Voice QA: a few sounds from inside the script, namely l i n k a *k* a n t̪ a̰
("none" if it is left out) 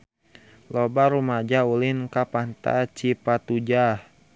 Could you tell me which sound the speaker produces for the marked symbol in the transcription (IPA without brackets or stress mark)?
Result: p